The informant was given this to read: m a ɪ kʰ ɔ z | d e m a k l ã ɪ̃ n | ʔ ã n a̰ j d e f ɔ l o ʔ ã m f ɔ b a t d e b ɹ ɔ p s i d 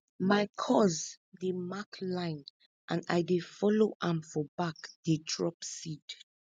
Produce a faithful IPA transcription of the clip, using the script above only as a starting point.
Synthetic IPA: m a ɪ kʰ ɔ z | d e m a k l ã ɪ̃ n | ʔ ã n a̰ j d e f ɔ l o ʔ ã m f ɔ b a k d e d ɹ ɔ p s i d